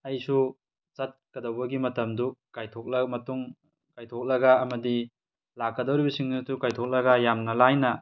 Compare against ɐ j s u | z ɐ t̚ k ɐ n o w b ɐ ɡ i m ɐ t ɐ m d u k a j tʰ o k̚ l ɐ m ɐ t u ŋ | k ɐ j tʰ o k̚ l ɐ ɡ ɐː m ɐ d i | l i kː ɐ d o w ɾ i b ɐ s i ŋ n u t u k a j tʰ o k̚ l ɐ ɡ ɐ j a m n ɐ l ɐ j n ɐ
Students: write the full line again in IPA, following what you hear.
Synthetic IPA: ɐ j s u | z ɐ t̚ k ɐ d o w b ɐ ɡ i m ɐ t ɐ m d u k a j tʰ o k̚ l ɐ m ɐ t u ŋ | k a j tʰ o k̚ l ɐ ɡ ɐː m ɐ d i | l a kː ɐ d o w ɾ i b ɐ s i ŋ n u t u k a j tʰ o k̚ l ɐ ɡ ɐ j a m n ɐ l a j n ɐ